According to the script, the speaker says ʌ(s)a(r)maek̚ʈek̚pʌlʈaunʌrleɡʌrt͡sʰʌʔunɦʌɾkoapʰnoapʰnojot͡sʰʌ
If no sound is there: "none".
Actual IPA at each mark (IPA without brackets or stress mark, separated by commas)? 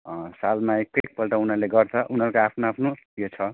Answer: s, l